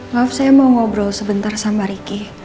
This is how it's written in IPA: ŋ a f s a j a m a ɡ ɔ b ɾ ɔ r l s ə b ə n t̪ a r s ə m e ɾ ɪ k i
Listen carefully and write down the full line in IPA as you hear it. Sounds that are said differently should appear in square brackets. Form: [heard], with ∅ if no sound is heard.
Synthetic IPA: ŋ a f s a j a m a [ŋ] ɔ b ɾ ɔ [∅] l s ə b ə n t̪ a r s [a] m [a] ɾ [i] k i